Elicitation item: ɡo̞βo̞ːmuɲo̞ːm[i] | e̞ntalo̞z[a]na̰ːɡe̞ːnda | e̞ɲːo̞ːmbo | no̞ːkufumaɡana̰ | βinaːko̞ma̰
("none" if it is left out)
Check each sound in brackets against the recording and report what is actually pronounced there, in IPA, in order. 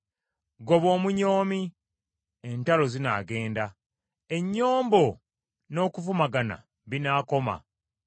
i, i

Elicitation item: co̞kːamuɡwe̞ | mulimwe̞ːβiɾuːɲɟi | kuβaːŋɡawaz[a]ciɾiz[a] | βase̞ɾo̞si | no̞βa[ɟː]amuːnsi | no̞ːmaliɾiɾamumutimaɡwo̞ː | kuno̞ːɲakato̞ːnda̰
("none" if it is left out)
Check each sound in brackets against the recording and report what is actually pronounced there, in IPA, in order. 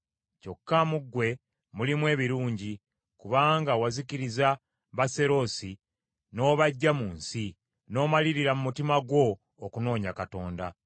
i, a, ɟː

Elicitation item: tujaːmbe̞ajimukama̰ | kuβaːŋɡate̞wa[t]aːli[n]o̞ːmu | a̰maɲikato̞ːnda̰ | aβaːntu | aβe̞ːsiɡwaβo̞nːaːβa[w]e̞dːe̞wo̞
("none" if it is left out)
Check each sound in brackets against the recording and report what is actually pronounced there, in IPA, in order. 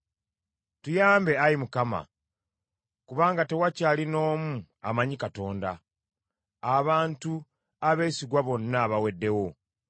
c, n, w

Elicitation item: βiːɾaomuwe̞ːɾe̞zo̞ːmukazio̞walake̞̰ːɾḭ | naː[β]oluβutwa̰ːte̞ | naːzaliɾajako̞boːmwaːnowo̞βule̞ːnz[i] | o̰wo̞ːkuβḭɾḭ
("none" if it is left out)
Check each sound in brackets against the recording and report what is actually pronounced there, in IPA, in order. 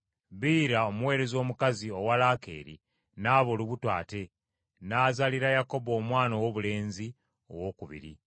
β, i

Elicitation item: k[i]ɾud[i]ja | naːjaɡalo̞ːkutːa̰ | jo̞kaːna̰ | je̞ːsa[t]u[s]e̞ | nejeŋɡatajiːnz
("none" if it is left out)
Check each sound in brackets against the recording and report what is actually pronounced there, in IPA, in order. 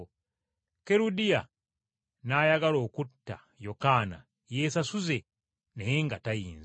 e, i, s, z

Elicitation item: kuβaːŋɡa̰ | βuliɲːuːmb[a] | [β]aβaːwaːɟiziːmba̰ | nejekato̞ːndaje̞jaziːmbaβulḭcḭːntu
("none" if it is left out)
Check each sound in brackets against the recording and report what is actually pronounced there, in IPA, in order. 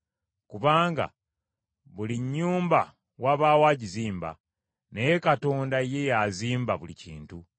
a, w

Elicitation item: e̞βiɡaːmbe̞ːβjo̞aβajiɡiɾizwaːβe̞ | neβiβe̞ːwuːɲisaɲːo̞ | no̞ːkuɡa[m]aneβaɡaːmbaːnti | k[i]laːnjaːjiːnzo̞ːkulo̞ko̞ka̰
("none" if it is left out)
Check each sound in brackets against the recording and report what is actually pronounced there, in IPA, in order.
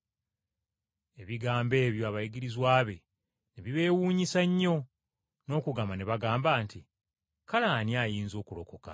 m, a

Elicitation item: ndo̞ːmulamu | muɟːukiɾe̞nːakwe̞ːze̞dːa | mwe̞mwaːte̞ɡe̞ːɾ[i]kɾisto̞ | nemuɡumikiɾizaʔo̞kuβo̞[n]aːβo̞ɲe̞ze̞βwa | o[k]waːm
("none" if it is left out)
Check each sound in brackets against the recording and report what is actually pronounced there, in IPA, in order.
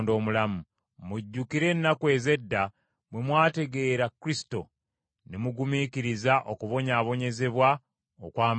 a, ɲ, k

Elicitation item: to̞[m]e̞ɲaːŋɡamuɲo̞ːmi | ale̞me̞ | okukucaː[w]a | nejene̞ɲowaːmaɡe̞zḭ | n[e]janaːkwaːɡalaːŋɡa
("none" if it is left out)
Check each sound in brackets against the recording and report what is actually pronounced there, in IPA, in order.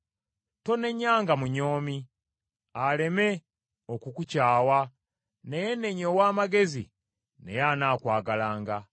n, w, e

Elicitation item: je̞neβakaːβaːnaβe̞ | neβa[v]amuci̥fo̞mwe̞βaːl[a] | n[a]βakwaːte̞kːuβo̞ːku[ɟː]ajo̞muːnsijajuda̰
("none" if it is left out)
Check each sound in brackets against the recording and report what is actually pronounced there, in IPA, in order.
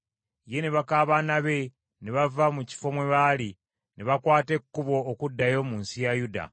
v, i, e, dː

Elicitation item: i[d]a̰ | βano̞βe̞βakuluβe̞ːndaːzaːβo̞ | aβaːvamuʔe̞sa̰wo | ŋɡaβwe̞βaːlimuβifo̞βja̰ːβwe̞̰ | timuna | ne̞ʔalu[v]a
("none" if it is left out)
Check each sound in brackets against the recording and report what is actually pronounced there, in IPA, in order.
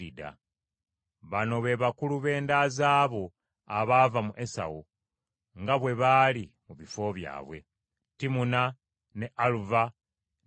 d, v

